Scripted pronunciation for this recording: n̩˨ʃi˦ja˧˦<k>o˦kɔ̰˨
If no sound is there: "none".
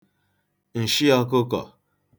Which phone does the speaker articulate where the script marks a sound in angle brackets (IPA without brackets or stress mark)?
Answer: k